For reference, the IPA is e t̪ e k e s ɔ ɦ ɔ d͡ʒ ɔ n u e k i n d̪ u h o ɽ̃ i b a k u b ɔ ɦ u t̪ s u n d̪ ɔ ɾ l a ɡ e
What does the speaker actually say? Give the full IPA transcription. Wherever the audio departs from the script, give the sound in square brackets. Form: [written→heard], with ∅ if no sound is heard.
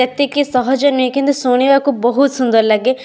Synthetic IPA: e t̪ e k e s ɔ ɦ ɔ d͡ʒ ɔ n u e k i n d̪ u [h→s] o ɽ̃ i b a k u b ɔ ɦ u t̪ s u n d̪ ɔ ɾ l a ɡ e